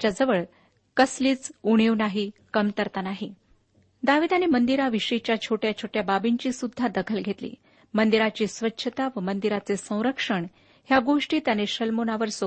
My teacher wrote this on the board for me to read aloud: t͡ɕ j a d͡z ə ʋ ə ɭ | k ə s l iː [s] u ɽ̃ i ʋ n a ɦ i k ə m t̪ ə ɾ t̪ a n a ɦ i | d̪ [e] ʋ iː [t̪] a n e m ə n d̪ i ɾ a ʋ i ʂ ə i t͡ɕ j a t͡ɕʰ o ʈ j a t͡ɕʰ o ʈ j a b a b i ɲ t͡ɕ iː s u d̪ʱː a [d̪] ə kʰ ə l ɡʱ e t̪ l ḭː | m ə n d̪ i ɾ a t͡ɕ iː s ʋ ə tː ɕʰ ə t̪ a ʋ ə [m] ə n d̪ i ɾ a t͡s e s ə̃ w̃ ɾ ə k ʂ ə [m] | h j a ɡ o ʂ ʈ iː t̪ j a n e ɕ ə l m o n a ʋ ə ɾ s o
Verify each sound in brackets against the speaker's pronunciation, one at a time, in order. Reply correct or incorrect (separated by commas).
incorrect, incorrect, incorrect, correct, correct, incorrect